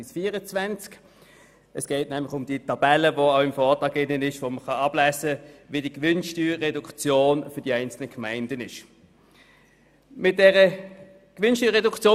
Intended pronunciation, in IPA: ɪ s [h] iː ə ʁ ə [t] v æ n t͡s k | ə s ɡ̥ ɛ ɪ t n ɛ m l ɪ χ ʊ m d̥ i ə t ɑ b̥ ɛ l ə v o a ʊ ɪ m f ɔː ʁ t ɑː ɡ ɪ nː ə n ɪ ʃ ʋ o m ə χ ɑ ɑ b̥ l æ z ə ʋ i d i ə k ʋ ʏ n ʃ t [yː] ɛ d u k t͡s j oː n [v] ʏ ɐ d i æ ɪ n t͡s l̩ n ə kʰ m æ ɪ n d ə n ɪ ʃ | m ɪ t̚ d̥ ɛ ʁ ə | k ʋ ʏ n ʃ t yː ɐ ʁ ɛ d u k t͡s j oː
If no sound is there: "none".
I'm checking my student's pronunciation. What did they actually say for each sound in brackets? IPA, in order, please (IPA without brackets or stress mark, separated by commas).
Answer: f, t͡s, yː, f